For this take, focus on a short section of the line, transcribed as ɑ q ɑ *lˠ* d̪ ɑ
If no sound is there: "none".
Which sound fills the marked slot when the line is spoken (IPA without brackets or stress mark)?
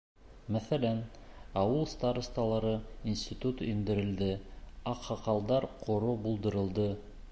lˠ